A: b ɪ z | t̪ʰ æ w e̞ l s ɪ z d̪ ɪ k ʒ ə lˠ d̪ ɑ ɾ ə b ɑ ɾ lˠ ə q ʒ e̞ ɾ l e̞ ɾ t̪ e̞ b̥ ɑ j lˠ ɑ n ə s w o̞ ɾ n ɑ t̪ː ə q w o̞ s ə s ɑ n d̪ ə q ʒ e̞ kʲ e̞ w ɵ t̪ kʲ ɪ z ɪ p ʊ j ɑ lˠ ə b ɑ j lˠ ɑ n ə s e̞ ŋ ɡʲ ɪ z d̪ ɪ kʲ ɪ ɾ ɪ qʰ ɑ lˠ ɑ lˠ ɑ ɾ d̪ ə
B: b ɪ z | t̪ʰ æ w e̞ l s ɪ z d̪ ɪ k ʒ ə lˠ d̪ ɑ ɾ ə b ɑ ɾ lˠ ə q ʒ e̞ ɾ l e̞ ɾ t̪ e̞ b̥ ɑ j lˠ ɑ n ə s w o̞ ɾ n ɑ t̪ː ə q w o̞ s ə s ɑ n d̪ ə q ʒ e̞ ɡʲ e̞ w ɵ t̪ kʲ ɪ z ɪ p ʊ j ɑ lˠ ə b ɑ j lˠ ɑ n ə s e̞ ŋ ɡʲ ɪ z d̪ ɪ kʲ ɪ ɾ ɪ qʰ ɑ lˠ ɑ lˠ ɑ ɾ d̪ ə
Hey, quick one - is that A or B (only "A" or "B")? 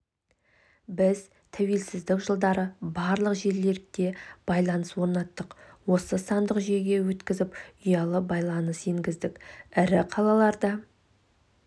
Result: B